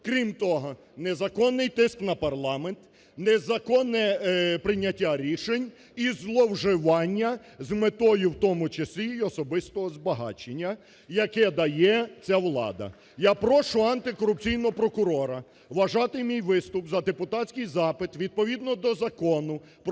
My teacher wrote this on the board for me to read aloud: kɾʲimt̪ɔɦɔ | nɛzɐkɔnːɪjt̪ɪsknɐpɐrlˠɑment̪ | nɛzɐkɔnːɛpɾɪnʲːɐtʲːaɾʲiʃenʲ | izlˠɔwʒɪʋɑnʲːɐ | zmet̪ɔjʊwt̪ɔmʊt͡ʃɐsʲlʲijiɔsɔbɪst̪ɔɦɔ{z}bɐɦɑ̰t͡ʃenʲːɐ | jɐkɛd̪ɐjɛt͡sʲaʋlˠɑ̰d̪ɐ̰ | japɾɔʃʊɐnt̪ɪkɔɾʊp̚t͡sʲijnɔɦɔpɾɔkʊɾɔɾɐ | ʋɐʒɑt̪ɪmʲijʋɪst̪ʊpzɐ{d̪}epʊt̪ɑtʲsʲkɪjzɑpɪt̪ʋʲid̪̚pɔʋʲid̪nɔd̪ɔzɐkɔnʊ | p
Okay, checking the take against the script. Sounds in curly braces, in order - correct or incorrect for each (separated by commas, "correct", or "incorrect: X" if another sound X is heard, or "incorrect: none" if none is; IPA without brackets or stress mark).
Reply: correct, correct